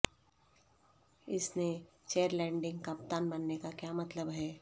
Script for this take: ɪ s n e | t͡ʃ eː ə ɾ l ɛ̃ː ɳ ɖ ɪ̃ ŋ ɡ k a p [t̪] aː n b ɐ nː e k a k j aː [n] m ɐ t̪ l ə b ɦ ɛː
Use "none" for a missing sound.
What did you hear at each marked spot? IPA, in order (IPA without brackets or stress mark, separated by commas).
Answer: t̪, none